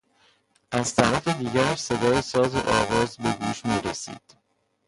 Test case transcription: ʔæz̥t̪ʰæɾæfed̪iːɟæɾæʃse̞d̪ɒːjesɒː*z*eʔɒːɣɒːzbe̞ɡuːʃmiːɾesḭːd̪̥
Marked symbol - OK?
yes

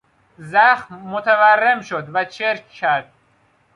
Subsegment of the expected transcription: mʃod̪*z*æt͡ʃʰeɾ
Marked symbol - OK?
no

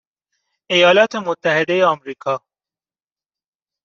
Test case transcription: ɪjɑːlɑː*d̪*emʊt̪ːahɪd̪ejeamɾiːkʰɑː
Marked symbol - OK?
no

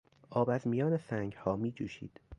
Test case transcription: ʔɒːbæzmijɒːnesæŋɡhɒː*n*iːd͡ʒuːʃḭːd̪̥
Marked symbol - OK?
no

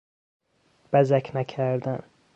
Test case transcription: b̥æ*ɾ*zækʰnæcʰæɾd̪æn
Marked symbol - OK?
no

